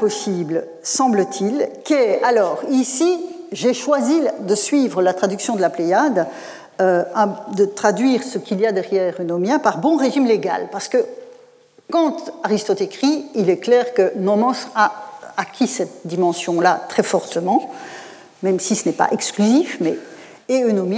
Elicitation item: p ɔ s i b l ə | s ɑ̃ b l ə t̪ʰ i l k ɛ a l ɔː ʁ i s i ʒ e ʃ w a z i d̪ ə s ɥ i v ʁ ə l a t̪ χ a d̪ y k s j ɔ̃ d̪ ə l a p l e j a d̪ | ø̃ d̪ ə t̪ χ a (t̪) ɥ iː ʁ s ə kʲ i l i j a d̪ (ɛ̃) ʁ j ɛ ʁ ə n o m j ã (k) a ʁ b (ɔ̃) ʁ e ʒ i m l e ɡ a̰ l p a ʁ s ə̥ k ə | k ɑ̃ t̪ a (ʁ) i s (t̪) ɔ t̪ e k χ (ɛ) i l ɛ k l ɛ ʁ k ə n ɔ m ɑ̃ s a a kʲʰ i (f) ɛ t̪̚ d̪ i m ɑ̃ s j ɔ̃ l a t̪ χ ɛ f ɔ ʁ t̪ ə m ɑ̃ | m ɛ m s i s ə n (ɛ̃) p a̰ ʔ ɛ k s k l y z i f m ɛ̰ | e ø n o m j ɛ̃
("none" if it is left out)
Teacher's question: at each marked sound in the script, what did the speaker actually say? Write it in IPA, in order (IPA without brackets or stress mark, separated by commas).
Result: d̪, ɛ, p, ɔ̃, ʁ, t̪, i, s, ɛ